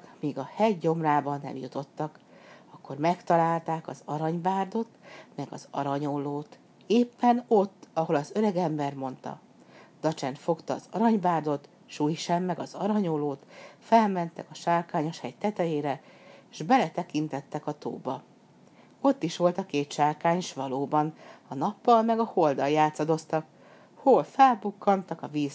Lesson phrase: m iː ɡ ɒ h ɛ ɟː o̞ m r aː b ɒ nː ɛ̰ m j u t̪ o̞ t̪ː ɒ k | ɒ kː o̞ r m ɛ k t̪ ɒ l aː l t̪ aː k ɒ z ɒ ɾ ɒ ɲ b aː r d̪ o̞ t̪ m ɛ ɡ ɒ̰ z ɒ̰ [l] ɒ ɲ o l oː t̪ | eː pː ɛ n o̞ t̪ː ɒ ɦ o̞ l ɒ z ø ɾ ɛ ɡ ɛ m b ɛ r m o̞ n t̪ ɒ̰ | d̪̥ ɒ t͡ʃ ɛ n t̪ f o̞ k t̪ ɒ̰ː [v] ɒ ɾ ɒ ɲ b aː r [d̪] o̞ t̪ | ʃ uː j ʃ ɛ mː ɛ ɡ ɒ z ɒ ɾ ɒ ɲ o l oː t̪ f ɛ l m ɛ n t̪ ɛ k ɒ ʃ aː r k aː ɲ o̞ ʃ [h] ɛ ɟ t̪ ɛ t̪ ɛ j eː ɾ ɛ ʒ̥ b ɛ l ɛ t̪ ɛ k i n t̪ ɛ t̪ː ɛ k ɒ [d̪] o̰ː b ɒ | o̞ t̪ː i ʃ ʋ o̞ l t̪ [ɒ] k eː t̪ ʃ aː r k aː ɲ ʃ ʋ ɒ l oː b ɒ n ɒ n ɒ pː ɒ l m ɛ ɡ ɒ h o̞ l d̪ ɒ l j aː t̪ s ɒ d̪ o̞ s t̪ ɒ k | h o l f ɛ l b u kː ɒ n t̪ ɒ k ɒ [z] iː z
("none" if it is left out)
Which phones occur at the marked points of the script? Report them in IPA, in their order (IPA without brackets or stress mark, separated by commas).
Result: ɾ, z, d̪, h, t̪, ɒ, v